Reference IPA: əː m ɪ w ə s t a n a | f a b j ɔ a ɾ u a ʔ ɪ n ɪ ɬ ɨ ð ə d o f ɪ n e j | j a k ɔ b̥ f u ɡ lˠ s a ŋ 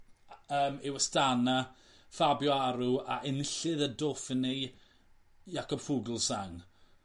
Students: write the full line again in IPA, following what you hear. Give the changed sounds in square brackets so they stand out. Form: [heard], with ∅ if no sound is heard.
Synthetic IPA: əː m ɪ w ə s t a n a | f a b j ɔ a ɾ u a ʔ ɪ n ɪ ɬ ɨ ð ə d o f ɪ n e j | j a k ɔ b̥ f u ɡ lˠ s a ŋ

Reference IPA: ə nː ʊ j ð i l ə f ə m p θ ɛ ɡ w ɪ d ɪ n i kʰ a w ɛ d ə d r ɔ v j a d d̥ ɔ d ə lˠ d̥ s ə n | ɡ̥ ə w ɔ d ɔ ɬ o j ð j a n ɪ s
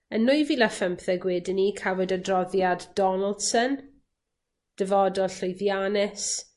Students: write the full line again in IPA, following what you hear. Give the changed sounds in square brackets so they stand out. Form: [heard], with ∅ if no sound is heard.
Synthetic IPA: ə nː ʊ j [v] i l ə f ə m p θ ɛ ɡ w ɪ d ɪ n i kʰ a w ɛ d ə d r ɔ [ð] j a d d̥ ɔ [n] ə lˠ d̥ s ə n | [d̥] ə [v] ɔ d ɔ ɬ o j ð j a n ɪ s

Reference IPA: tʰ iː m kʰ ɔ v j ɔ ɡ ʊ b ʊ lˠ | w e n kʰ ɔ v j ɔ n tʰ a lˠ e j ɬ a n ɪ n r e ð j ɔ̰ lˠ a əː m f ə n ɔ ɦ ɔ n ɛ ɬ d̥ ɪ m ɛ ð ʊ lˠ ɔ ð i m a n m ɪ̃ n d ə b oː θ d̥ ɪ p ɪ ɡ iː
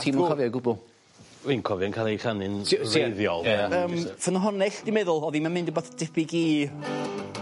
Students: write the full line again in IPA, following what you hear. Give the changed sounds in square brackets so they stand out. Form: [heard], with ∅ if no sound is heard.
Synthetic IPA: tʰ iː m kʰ ɔ v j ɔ ɡ ʊ b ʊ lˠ | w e n kʰ ɔ v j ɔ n [kʰ] a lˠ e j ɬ a n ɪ n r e ð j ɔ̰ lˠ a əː m f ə n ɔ ɦ ɔ n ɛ ɬ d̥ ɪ m ɛ ð ʊ lˠ ɔ ð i m a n m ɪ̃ n d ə b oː θ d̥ ɪ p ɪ ɡ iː

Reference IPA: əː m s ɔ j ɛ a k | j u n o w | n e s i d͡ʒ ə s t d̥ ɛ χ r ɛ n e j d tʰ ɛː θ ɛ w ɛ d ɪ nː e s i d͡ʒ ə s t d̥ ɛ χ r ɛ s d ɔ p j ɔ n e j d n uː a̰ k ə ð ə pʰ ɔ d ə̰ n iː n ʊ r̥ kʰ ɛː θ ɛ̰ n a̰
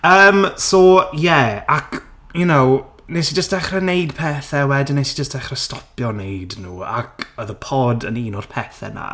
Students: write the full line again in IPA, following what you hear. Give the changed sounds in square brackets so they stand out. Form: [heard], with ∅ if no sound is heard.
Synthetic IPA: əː m s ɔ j ɛ a k | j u n o w | n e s i d͡ʒ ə s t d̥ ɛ χ r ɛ n e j d [pʰ] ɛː θ ɛ w ɛ d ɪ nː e s i d͡ʒ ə s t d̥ ɛ χ r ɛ s [t] ɔ p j ɔ n e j d n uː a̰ k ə ð ə pʰ ɔ d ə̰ n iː n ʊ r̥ [pʰ] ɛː θ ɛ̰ n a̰

